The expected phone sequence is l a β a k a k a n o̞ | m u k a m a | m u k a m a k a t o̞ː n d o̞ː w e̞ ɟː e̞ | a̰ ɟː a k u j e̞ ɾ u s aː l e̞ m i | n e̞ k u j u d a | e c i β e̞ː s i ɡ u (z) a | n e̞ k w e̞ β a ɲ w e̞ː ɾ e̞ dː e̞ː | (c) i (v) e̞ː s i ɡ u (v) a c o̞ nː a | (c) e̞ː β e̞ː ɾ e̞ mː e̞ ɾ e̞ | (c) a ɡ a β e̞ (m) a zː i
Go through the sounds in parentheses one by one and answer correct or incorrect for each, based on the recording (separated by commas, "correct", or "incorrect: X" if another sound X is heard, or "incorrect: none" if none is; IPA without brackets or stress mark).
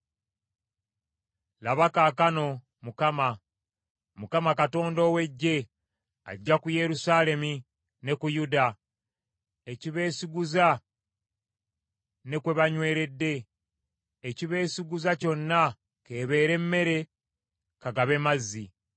correct, correct, incorrect: β, incorrect: z, incorrect: k, incorrect: k, correct